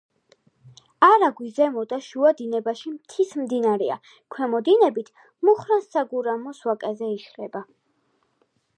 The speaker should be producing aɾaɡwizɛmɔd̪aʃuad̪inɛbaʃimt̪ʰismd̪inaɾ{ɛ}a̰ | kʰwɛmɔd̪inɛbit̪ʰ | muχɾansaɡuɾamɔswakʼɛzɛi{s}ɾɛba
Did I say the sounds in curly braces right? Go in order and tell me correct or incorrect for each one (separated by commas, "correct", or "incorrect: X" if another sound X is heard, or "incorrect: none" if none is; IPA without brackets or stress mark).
correct, incorrect: ʃ